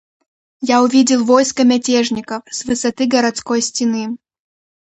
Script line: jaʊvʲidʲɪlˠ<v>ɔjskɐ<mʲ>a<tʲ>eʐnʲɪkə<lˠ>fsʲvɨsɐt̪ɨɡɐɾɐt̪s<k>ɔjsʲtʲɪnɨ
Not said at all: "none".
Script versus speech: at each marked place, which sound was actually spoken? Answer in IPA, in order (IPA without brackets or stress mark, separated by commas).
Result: v, mʲ, tʲ, none, k